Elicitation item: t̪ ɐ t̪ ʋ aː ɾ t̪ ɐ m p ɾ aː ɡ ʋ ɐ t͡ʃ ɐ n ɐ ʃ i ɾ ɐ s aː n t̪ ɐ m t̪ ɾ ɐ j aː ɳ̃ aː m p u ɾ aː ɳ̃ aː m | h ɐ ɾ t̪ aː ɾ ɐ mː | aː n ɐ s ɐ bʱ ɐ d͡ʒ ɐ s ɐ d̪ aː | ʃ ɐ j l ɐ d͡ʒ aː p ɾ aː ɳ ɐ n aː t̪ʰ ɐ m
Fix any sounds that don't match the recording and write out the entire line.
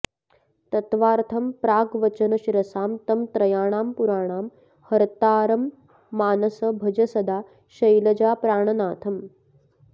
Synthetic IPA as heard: t̪ ɐ t̪ ʋ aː ɾ t̪ʰ ɐ m p ɾ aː ɡ ʋ ɐ t͡ʃ ɐ n ɐ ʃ i ɾ ɐ s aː m t̪ ɐ m t̪ ɾ ɐ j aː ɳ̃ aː m p u ɾ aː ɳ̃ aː m | h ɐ ɾ t̪ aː ɾ ɐ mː | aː n ɐ s ɐ bʱ ɐ d͡ʒ ɐ s ɐ d̪ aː | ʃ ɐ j l ɐ d͡ʒ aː p ɾ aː ɳ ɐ n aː t̪ʰ ɐ m